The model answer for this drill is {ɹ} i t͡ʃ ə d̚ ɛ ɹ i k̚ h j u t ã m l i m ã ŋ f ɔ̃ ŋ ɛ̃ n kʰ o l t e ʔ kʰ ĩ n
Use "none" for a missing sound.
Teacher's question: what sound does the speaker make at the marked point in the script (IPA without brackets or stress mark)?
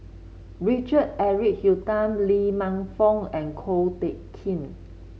ɹ